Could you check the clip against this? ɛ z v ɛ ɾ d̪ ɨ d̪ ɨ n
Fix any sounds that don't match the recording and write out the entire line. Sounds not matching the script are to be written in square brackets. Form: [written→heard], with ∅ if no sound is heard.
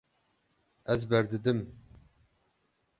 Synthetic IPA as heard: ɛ z [v→b] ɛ ɾ d̪ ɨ d̪ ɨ [n→m]